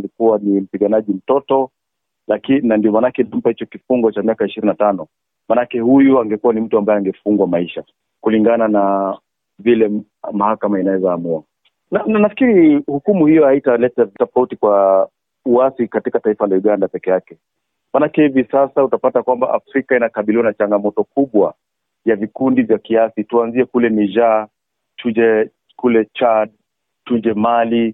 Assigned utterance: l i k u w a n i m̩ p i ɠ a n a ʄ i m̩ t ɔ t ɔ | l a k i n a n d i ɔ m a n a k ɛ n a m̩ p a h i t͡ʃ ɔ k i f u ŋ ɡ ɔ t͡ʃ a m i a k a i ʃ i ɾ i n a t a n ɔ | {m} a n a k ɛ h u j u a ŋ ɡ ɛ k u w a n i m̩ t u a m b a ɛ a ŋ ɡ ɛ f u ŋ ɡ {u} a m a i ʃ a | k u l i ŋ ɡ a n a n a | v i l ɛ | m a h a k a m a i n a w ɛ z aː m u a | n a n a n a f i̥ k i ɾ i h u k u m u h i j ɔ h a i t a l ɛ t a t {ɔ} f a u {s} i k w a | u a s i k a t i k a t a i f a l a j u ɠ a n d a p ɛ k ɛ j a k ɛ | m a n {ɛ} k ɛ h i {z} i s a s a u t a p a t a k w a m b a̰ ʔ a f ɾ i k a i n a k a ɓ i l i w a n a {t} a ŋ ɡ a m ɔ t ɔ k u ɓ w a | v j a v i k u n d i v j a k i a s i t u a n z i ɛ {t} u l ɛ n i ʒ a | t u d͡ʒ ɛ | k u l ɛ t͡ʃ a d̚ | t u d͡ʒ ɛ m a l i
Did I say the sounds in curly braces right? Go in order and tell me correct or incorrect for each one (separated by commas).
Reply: correct, incorrect, correct, incorrect, incorrect, incorrect, incorrect, incorrect